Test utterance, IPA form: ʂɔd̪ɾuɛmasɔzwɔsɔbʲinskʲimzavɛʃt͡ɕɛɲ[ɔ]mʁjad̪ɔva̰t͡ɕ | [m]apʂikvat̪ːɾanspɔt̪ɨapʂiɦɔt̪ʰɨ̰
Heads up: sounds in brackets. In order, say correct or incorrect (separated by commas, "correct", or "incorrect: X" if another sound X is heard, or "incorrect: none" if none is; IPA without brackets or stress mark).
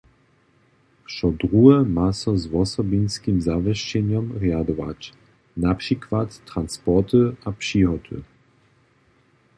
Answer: correct, incorrect: n